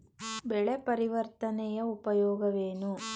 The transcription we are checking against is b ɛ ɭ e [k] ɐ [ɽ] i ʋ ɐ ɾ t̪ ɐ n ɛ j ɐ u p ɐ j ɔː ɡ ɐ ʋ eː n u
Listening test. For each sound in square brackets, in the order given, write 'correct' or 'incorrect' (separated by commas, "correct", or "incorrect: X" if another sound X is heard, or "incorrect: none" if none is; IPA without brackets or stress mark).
incorrect: p, incorrect: ɾ